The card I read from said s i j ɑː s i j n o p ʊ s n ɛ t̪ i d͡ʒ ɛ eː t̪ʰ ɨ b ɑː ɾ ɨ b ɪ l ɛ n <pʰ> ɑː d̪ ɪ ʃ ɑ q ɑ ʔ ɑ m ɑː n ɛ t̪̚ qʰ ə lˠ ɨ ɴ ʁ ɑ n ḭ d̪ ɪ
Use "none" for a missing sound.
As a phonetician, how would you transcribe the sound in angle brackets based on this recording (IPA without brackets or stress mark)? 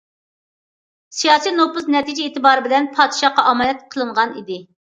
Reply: pʰ